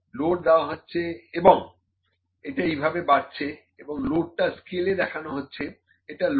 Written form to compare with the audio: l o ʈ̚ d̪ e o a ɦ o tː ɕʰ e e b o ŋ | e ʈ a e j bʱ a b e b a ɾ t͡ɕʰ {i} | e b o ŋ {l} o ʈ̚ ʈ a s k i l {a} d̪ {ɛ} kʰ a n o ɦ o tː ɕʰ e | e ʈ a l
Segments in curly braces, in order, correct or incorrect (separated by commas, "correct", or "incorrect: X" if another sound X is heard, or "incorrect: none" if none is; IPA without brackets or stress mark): incorrect: e, correct, incorrect: e, correct